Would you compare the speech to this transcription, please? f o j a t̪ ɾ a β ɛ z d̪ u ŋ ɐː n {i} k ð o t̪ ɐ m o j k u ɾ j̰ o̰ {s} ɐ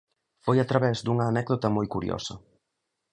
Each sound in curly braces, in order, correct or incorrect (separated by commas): incorrect, correct